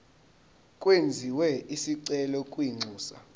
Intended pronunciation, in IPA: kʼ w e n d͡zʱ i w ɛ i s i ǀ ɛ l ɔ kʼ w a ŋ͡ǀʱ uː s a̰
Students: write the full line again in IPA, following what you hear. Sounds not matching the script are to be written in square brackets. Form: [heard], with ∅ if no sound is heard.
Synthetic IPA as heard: kʼ w e n d͡zʱ i w ɛ i s i ǀ ɛ l ɔ kʼ w [i] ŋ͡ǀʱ uː s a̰